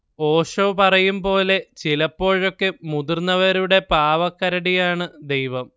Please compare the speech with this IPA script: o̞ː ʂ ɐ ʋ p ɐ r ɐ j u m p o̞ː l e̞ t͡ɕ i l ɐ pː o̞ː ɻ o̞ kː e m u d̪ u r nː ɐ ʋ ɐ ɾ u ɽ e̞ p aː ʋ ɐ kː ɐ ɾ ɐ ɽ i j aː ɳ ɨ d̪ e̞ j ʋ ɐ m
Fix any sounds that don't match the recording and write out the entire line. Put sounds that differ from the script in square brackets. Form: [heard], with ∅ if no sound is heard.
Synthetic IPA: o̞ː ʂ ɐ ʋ p ɐ r ɐ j u m p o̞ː l e̞ t͡ɕ i l ɐ pː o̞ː ɻ o̞ kː e m u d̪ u r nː ɐ ʋ ɐ ɾ u ɽ e̞ p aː ʋ ɐ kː ɐ ɾ ɐ ɽ i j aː ɳ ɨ d̪ e̞ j ʋ ɐ m